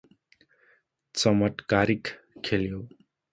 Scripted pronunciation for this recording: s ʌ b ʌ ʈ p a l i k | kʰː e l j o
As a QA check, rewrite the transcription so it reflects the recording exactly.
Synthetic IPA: t͡s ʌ m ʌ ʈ k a ɾ i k | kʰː e l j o